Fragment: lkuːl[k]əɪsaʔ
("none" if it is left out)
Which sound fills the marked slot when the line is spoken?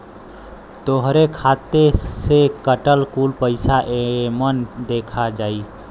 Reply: p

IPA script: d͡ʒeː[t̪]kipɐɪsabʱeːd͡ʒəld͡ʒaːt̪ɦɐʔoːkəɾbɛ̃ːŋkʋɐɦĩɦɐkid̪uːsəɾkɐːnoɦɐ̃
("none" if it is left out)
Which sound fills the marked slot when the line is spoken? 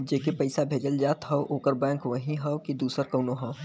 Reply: none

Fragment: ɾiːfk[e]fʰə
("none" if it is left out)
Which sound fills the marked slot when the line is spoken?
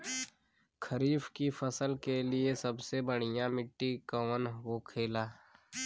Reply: i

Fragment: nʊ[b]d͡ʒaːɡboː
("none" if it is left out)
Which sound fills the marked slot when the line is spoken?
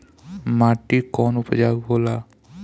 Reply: p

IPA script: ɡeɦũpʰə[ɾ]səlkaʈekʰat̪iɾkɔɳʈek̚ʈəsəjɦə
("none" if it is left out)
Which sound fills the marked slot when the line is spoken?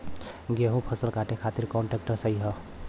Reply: none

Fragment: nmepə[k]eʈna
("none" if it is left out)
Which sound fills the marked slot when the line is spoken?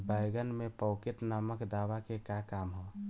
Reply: k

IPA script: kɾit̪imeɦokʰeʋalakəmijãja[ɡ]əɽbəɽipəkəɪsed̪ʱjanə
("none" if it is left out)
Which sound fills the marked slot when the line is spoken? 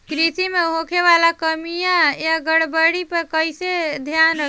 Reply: ɡ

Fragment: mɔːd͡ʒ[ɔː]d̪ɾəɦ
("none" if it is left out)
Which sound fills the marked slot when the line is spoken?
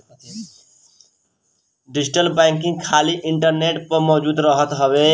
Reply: uː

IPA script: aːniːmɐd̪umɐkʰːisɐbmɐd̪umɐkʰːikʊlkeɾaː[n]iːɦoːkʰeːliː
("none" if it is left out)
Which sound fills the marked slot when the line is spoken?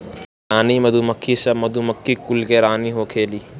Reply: n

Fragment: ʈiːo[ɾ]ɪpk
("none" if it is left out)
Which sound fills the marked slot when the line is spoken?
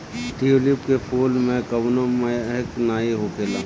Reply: l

